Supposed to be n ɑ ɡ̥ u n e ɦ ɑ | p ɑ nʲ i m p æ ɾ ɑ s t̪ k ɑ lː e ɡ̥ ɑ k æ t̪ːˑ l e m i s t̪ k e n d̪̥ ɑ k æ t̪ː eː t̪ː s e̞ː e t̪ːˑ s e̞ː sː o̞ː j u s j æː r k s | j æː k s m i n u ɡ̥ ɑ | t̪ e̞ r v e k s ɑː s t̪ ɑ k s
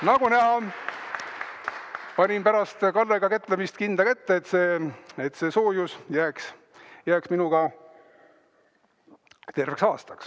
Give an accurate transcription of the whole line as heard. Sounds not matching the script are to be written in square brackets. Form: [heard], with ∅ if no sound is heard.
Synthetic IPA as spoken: n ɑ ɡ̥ u n [æ] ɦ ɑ | p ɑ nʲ i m p æ ɾ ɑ s t̪ k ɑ lː e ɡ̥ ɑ k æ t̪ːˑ l e m i s t̪ k [i] n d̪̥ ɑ k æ t̪ː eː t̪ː s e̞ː e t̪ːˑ s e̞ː [s] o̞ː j u s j æː [∅] k s | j æː k s m i n u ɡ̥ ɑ | t̪ e̞ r v e k s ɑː s t̪ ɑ k s